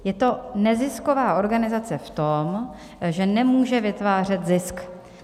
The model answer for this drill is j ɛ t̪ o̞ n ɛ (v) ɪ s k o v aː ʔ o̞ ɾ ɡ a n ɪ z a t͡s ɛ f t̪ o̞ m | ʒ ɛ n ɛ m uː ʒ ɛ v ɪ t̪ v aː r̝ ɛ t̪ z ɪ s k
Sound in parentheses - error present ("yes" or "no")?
yes